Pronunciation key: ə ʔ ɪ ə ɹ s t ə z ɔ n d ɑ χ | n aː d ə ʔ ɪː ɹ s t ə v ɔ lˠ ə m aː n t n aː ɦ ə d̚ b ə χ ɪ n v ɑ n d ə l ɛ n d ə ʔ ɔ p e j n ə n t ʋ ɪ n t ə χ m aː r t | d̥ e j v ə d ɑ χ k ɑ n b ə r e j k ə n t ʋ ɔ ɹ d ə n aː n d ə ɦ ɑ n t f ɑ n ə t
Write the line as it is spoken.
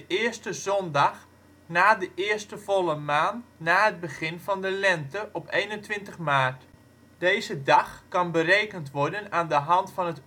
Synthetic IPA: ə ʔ ɪ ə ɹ s t ə z ɔ n d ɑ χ | n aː d ə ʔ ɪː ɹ s t ə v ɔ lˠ ə m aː n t n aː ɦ ə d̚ b ə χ ɪ n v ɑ n d ə l ɛ n t ə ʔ ɔ p e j n ə n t ʋ ɪ n t ə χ m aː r t | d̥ e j z ə d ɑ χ k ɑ n b ə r e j k ə n t ʋ ɔ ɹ d ə n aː n d ə ɦ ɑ n t f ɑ n ə t